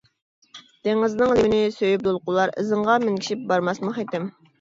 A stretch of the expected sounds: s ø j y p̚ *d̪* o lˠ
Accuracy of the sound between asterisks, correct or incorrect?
correct